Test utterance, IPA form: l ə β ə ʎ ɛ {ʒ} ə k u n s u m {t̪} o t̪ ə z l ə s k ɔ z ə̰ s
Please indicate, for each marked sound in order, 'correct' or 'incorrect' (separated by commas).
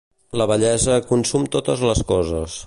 incorrect, correct